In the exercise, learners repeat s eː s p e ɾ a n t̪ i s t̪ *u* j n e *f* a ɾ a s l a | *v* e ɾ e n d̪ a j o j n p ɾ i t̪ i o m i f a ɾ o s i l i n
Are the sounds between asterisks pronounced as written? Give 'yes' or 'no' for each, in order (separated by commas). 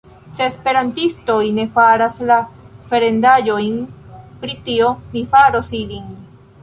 no, yes, no